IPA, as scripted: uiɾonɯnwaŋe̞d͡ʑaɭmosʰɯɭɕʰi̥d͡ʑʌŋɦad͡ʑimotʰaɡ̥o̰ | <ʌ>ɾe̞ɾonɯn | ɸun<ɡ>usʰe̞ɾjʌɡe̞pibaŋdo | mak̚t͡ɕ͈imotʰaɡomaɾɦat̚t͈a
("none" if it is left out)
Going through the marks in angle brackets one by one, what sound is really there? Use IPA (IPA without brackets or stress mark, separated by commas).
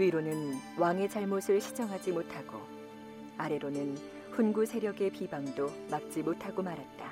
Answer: a, ɡ